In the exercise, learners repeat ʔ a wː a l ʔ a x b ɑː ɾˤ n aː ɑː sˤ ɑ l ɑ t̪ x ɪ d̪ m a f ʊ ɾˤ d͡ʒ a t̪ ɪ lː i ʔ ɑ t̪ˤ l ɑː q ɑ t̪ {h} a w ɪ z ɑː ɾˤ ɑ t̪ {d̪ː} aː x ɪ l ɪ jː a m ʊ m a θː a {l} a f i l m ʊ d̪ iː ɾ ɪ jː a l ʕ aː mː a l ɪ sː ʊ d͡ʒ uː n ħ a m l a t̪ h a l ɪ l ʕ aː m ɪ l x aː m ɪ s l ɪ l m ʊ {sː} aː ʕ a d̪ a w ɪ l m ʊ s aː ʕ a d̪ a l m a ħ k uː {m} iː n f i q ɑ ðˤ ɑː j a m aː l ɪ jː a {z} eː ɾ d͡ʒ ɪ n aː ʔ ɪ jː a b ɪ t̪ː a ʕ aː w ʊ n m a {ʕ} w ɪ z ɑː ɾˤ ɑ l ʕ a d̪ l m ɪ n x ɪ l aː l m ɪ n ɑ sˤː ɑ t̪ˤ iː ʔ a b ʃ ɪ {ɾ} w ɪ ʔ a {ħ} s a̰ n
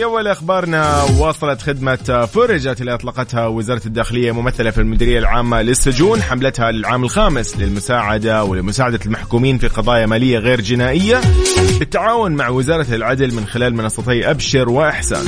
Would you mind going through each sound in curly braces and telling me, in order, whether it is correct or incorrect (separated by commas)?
correct, correct, correct, incorrect, correct, incorrect, correct, correct, correct